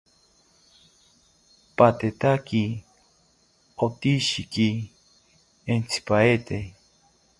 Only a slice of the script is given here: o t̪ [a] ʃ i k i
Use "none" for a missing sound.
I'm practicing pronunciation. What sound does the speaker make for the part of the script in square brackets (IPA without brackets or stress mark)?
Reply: i